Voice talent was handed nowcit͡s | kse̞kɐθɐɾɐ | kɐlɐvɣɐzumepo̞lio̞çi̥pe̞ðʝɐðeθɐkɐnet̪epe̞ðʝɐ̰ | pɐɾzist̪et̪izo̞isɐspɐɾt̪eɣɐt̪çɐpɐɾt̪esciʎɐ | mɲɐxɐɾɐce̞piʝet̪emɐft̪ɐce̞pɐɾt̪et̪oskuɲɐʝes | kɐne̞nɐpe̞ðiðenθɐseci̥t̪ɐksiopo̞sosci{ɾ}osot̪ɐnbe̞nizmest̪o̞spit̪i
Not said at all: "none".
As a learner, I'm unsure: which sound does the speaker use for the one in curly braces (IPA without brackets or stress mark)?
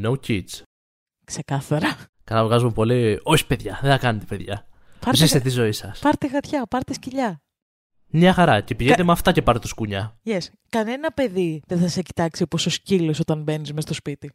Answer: l